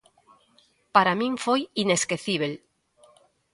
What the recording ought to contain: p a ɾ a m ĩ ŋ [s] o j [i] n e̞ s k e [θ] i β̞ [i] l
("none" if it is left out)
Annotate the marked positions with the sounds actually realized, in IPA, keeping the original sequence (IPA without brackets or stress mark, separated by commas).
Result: f, i, θ, e